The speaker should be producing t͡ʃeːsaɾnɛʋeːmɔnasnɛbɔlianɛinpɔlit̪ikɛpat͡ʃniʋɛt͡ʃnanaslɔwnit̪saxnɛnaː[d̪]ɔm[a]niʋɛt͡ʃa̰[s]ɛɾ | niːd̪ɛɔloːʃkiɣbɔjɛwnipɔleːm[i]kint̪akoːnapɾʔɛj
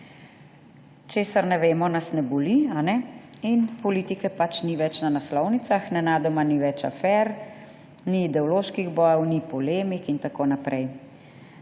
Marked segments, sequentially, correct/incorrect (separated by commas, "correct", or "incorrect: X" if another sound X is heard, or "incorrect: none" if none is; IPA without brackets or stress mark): correct, correct, incorrect: f, correct